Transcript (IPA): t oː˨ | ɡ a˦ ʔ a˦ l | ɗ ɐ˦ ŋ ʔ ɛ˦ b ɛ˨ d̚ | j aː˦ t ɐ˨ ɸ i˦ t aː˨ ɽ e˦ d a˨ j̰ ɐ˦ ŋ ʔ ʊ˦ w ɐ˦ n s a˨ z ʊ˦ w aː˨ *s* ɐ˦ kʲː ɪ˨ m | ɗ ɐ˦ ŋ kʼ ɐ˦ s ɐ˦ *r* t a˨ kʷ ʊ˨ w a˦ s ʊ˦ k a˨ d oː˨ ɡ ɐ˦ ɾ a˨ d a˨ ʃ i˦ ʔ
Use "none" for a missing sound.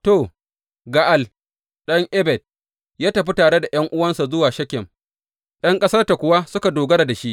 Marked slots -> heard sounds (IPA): ʃ, r

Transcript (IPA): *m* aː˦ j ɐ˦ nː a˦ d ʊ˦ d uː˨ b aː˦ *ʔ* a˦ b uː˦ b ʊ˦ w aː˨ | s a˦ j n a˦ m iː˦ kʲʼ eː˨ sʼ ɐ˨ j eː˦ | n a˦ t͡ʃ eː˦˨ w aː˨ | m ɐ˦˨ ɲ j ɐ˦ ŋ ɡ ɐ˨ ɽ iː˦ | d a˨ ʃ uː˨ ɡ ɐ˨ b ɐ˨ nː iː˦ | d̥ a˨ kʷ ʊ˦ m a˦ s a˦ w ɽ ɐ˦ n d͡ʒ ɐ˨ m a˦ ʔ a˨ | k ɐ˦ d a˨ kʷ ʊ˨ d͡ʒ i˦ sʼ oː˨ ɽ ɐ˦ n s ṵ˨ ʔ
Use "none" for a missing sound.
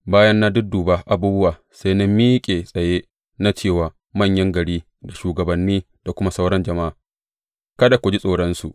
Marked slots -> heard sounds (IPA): b, ʔ

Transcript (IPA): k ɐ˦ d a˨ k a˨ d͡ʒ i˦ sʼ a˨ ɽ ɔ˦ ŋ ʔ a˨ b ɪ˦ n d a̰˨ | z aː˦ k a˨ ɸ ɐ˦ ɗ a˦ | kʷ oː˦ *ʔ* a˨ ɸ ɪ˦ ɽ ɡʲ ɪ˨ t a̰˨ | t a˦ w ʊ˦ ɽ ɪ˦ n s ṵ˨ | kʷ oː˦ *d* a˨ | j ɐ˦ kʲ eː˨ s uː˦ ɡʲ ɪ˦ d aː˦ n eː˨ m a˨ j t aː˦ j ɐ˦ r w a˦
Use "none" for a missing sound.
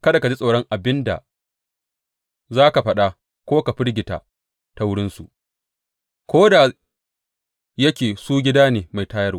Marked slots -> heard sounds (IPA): k, d

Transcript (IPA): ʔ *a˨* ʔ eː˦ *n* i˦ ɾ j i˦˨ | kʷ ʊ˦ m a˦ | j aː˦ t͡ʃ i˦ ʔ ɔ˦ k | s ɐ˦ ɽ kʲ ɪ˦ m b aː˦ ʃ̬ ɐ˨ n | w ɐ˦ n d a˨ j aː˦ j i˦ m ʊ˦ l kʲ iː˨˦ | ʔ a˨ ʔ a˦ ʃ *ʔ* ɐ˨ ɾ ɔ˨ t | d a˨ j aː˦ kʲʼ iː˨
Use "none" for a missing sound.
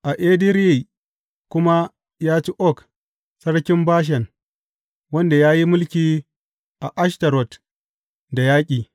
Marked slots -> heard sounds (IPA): a˨, d, t

